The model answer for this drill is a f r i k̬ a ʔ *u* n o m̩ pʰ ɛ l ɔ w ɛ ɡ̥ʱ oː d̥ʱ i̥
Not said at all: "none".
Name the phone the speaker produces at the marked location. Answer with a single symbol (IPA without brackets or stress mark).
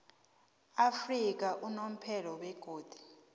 u